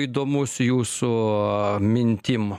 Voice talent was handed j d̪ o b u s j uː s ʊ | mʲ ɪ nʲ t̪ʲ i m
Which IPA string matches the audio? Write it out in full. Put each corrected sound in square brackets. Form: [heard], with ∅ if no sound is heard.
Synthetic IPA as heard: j d̪ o [m] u s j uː s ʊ | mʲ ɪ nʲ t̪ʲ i m